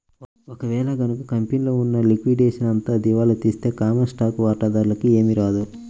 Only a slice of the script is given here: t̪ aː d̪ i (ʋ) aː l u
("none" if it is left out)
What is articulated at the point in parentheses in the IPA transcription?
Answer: ʋ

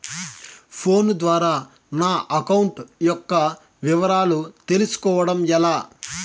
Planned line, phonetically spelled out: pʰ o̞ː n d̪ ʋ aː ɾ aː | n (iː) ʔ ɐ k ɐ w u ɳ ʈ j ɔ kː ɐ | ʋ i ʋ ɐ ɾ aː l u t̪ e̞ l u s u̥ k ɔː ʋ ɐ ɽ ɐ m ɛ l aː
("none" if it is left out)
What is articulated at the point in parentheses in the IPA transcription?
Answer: aː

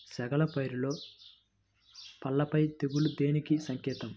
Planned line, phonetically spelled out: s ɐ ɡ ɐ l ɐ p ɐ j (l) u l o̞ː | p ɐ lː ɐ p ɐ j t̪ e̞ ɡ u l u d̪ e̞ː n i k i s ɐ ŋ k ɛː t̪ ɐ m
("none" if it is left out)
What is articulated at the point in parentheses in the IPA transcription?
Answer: ɾ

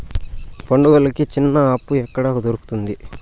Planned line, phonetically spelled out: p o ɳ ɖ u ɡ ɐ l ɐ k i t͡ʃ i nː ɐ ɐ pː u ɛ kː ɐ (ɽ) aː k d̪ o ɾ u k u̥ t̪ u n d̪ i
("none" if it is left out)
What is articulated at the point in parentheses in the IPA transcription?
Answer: ɽ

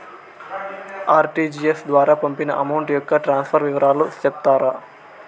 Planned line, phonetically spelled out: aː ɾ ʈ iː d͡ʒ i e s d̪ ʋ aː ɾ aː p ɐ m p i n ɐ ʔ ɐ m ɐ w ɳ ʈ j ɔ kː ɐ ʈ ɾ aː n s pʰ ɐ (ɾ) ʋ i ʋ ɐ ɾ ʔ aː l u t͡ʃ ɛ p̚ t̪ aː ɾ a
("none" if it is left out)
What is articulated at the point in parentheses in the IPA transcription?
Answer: ɾ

